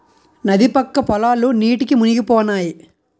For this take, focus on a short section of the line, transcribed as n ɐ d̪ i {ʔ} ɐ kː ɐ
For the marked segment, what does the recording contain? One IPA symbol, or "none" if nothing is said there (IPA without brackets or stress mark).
p